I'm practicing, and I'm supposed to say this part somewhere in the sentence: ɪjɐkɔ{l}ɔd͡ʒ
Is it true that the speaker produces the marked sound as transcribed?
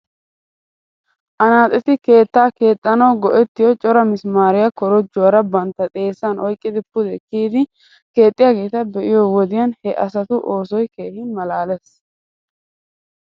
no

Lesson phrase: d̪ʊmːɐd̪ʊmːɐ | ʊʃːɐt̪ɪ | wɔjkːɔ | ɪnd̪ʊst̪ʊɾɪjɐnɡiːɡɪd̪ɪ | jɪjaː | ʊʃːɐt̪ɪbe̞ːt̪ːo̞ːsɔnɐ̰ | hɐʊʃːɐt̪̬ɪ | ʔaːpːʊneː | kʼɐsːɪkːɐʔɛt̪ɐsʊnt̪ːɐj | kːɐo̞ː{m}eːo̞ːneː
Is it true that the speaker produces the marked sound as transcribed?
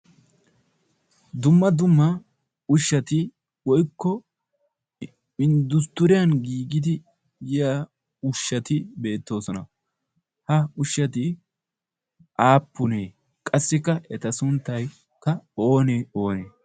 no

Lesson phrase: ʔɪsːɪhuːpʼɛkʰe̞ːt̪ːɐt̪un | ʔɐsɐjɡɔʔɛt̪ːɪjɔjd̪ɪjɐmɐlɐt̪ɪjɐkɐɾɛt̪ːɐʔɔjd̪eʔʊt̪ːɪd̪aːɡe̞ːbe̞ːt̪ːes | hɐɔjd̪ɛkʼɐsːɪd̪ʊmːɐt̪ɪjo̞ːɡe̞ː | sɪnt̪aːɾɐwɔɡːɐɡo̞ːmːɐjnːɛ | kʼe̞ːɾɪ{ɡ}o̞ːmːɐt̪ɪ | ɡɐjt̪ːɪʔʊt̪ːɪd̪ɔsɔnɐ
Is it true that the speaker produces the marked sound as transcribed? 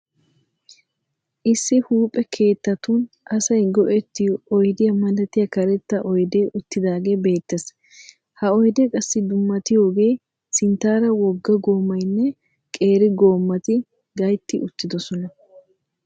yes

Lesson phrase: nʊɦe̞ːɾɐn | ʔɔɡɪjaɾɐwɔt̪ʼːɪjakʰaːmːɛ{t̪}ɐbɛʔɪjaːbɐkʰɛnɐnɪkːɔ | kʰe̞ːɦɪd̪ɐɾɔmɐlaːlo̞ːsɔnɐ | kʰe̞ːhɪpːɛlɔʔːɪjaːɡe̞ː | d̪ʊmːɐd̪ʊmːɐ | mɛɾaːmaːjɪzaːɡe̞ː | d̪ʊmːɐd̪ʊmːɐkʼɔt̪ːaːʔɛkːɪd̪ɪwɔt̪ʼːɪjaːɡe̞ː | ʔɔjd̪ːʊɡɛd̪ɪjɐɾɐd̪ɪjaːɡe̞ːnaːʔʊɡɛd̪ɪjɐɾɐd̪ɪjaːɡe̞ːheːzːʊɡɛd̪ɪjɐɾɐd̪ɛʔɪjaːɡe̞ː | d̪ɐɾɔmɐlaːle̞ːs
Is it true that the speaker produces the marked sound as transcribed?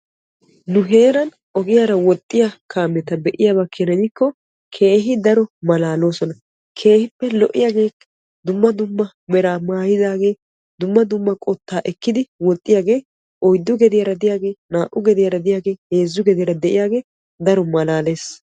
yes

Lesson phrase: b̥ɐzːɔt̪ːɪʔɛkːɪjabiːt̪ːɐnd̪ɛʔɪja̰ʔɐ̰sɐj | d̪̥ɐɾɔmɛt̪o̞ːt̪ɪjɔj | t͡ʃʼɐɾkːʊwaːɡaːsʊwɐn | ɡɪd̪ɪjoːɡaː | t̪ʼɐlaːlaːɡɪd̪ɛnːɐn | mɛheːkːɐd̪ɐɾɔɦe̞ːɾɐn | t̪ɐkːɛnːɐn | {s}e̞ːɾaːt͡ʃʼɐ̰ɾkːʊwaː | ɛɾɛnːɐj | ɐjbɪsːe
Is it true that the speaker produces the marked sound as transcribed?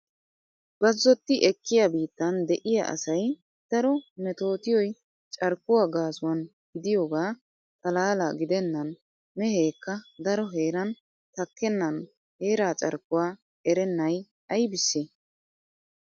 no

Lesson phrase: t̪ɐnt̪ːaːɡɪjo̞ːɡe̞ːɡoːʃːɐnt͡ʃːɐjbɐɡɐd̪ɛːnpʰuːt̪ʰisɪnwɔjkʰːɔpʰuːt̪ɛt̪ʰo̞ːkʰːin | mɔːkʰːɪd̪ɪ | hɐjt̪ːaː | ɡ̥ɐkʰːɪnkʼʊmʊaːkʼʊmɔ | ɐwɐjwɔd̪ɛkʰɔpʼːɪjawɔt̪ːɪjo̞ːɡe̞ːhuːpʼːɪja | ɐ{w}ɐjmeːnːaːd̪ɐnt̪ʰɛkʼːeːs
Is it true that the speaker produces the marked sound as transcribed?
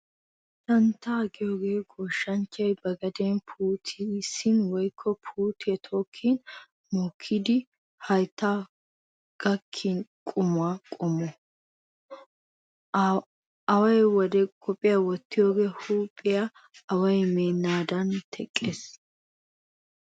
yes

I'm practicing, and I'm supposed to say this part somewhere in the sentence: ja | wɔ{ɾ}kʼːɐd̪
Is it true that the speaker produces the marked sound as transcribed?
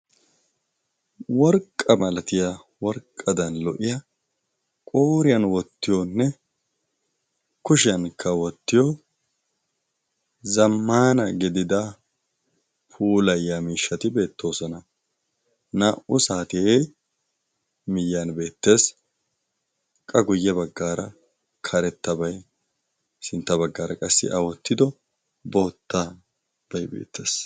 yes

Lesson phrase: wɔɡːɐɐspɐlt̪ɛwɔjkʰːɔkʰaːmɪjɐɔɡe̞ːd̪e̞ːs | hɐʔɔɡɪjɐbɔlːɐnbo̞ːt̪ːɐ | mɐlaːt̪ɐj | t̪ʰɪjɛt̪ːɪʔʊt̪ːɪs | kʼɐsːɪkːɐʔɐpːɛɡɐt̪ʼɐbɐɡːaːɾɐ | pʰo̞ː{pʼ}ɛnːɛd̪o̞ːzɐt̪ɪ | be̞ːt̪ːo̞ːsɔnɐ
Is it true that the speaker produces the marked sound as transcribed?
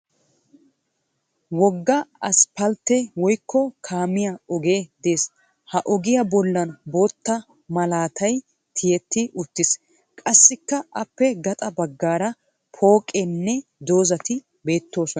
no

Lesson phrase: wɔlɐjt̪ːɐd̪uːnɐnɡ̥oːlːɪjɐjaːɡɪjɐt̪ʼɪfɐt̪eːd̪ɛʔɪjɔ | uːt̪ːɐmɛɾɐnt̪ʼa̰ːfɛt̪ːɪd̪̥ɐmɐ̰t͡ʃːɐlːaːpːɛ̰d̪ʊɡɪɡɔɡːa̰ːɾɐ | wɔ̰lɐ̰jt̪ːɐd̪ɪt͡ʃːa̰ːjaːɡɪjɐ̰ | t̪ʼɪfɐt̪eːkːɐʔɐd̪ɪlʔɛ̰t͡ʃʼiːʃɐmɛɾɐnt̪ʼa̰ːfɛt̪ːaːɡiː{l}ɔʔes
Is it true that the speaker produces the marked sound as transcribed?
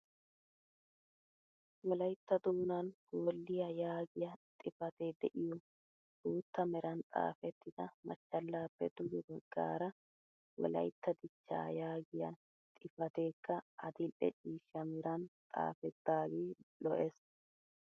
yes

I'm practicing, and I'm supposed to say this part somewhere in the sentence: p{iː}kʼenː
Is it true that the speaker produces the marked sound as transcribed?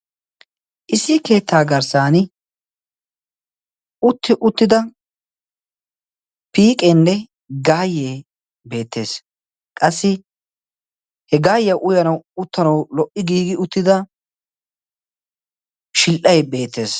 yes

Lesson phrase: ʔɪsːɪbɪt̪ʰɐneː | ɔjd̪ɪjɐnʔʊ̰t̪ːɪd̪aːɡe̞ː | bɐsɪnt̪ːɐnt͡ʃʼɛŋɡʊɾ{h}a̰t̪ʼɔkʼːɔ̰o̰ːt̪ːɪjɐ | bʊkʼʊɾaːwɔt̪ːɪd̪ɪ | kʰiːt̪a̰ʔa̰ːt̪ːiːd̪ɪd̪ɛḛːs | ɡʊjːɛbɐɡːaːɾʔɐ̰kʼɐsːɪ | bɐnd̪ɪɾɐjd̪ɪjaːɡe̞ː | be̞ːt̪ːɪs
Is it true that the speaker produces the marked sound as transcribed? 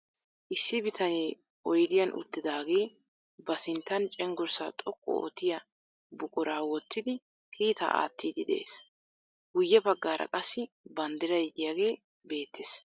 no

